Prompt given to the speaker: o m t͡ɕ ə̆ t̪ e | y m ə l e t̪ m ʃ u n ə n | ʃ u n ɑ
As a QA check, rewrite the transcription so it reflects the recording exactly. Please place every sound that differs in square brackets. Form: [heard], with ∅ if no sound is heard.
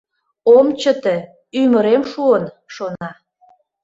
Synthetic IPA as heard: o m t͡ɕ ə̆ t̪ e | y m ə [ɾ] e [∅] m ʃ u [∅] ə n | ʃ [o] n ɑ